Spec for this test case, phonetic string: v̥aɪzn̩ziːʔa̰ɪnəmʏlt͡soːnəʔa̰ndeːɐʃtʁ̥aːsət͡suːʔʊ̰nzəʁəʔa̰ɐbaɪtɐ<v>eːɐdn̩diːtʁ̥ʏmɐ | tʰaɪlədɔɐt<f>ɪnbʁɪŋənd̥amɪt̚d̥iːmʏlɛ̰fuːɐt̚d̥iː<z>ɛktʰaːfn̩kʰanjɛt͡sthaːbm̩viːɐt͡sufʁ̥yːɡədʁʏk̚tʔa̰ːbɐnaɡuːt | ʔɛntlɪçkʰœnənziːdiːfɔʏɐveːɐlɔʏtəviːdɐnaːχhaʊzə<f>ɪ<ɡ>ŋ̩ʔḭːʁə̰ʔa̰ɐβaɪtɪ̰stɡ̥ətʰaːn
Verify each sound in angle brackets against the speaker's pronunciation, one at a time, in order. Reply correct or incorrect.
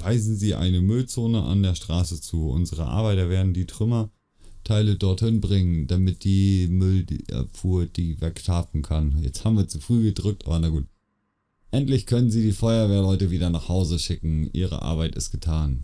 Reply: correct, incorrect, incorrect, incorrect, incorrect

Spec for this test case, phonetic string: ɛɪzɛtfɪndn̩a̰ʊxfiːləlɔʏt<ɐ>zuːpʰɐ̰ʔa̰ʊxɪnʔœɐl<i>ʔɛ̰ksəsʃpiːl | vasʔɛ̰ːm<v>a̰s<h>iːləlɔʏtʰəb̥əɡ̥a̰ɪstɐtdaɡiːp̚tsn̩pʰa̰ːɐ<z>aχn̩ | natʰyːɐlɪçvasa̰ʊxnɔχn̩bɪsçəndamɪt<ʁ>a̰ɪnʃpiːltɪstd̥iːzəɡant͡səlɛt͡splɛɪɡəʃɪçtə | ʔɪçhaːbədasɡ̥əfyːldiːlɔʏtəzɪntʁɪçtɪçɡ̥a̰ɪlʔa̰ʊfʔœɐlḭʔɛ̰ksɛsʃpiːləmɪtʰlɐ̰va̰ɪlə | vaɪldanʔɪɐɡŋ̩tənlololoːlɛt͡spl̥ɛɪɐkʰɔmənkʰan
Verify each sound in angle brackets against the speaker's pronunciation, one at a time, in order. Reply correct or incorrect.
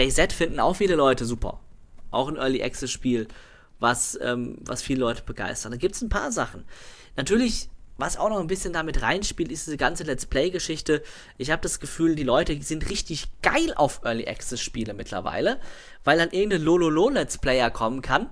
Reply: incorrect, correct, correct, incorrect, correct, correct

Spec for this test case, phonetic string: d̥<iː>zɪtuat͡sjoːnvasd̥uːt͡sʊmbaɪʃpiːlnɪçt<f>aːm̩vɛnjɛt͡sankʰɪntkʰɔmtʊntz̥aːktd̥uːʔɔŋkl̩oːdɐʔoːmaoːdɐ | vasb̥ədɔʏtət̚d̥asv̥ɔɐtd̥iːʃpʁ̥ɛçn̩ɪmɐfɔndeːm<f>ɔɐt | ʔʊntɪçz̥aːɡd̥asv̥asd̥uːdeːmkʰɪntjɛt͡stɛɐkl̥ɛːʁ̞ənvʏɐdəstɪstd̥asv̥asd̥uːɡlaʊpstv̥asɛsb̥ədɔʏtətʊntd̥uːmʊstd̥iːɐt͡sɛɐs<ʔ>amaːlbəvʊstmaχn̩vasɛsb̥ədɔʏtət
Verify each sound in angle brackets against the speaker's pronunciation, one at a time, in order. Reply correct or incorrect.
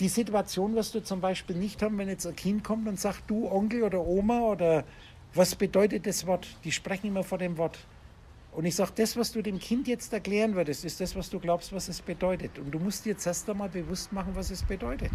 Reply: correct, incorrect, incorrect, incorrect

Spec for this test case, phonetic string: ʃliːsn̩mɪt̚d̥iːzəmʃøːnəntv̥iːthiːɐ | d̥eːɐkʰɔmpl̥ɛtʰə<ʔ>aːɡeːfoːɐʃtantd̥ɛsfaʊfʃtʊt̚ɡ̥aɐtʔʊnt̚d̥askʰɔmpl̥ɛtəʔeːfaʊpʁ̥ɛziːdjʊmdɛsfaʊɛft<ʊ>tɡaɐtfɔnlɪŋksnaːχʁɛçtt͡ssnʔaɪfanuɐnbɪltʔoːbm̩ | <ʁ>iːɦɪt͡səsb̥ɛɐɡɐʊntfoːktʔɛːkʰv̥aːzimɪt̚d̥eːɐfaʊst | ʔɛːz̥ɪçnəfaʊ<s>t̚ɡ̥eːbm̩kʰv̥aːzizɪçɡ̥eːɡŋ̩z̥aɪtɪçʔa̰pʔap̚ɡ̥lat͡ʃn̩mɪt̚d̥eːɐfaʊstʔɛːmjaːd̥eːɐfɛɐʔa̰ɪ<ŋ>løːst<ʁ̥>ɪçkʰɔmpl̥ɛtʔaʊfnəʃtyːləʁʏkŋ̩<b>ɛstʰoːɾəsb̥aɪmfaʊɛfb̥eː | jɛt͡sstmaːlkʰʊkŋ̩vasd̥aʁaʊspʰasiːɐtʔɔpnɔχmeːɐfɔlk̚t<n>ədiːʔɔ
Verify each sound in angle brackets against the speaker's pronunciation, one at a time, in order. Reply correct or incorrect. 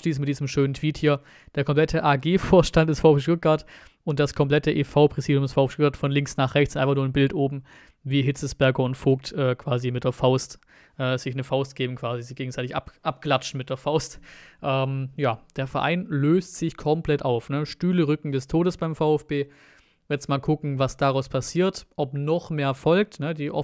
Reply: correct, correct, incorrect, correct, incorrect, incorrect, incorrect, correct

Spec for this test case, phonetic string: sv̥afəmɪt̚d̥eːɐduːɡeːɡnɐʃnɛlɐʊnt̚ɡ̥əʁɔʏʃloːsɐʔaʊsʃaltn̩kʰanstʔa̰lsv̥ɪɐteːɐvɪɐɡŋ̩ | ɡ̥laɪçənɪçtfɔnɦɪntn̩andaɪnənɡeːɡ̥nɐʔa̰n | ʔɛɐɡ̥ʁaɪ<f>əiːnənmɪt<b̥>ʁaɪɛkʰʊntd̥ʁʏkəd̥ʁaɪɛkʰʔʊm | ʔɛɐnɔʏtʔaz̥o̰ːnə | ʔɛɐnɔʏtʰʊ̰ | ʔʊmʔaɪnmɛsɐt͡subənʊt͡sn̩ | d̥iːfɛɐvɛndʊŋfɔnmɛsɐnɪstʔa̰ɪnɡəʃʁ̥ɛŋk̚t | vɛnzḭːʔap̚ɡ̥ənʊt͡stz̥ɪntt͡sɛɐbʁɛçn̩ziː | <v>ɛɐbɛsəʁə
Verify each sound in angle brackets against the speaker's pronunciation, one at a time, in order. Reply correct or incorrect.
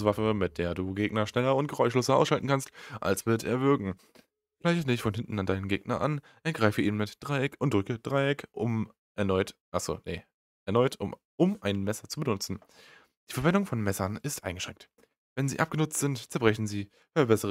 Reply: correct, incorrect, incorrect

